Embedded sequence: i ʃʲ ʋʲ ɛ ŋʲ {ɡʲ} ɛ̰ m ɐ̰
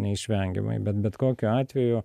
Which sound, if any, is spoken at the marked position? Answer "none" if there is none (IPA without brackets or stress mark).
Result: ɡʲ